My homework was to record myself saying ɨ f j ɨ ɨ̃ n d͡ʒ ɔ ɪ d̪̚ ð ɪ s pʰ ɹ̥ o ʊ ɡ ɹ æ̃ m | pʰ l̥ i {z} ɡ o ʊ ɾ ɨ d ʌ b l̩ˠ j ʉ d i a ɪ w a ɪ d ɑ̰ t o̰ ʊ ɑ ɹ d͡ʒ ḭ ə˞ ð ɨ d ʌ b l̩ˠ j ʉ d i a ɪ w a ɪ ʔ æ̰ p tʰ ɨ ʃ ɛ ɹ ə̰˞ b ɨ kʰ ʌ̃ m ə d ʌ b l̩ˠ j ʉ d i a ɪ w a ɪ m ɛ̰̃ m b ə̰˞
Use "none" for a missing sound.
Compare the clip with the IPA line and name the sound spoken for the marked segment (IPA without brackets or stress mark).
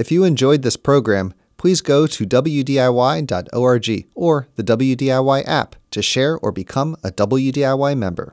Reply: z